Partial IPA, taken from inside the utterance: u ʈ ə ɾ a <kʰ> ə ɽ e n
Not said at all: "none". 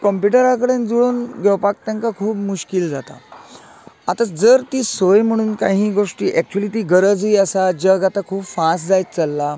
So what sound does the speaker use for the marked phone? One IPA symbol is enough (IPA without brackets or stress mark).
k